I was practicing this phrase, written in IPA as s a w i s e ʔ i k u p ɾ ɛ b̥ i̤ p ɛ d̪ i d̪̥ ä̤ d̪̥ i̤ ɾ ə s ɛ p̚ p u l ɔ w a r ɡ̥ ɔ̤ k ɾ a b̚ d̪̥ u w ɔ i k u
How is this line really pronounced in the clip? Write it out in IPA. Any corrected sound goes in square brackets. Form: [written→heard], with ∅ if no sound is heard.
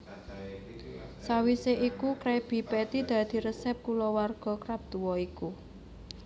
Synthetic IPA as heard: s a w i s e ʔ i k u [p→k] ɾ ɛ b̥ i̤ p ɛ [d̪→t̪] i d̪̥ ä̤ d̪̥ i̤ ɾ ə s ɛ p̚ [p→k] u l ɔ w a r ɡ̥ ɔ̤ k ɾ a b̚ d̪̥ u w ɔ i k u